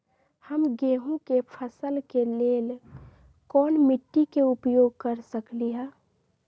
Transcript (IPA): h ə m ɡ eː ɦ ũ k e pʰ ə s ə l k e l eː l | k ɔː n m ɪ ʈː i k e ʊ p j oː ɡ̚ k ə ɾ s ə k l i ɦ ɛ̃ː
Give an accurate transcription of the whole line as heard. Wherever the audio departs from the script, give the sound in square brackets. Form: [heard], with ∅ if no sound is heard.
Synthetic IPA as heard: h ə m ɡ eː ɦ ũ k e pʰ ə s ə l k e l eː l | k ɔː n m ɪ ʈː i k e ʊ p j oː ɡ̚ k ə ɾ s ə k l i ɦ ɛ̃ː

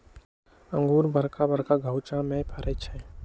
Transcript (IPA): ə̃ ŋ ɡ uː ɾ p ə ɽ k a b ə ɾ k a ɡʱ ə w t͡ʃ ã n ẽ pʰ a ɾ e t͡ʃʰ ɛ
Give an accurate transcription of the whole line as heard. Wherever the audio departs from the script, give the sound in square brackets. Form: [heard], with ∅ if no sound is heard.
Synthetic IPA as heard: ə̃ ŋ ɡ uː ɾ [b] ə [ɾ] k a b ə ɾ k a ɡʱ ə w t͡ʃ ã [m] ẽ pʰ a ɾ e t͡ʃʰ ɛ

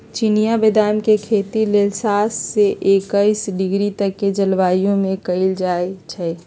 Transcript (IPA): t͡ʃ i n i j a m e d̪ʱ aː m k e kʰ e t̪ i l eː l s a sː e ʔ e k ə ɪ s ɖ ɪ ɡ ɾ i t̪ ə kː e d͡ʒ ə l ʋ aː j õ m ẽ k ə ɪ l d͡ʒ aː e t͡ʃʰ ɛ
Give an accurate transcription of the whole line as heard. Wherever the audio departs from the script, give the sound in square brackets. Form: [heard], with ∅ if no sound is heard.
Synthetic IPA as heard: t͡ʃ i n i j a [b] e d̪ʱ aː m k e kʰ e t̪ i l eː l s a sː e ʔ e k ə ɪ s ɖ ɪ ɡ ɾ i t̪ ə kː e d͡ʒ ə l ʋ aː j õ m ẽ k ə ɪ l d͡ʒ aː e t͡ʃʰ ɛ

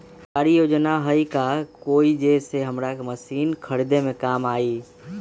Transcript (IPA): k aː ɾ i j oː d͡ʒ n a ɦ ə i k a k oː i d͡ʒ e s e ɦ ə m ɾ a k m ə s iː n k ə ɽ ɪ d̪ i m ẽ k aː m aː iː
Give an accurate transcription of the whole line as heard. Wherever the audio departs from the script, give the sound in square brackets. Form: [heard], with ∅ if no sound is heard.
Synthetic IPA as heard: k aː ɾ i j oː d͡ʒ n a ɦ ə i k a k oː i d͡ʒ e s e ɦ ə m ɾ a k m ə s iː n [kʰ] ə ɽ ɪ d̪ [e] m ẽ k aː m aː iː

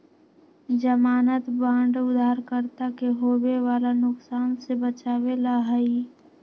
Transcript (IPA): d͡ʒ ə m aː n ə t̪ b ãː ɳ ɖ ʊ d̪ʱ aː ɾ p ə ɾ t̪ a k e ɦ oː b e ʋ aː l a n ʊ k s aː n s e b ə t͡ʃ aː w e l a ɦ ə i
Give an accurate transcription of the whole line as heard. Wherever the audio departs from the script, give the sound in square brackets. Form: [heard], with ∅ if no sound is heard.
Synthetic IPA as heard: d͡ʒ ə m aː n ə t̪ b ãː ɳ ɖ ʊ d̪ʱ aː ɾ [k] ə ɾ t̪ a k e ɦ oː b e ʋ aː l a n ʊ k s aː n s e b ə t͡ʃ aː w e l a ɦ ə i

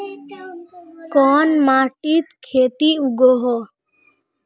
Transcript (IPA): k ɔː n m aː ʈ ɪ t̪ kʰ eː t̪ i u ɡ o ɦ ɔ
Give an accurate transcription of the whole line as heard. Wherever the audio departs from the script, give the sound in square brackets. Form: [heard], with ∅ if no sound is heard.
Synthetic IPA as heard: k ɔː n m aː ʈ [i] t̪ kʰ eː t̪ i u ɡ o ɦ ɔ

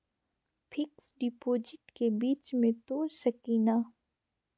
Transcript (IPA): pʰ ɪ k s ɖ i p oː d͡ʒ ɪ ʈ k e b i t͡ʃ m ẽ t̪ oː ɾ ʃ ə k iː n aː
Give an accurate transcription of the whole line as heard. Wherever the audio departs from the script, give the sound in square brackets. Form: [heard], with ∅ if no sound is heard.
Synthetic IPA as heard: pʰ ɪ k s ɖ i p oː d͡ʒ ɪ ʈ k e b [iː] t͡ʃ m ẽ t̪ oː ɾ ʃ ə k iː n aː

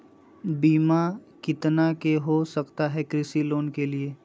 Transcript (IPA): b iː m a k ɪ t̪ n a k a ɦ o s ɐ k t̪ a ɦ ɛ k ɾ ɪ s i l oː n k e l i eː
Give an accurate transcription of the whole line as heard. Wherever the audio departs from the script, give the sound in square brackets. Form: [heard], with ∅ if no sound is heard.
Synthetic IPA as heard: b iː m a k ɪ t̪ n a k [e] ɦ o s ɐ k t̪ a ɦ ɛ k ɾ ɪ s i l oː n k e l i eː

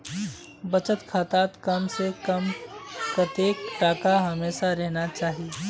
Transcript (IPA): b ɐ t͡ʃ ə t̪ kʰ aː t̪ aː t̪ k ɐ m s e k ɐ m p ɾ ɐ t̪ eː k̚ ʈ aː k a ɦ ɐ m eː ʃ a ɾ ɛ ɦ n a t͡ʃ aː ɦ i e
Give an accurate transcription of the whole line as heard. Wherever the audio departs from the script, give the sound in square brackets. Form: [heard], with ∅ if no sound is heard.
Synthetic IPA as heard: b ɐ t͡ʃ ə t̪ kʰ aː t̪ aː t̪ k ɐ m s e k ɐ m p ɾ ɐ t̪ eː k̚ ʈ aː k a ɦ ɐ m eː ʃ a ɾ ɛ ɦ n a t͡ʃ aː ɦ i e

